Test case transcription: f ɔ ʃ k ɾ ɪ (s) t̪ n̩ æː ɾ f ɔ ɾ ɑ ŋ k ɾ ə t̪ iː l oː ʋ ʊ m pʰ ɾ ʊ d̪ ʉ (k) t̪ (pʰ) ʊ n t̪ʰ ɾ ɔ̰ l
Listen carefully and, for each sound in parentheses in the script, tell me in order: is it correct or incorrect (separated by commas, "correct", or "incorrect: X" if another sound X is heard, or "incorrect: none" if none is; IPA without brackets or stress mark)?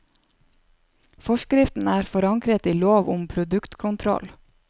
incorrect: f, correct, incorrect: kʰ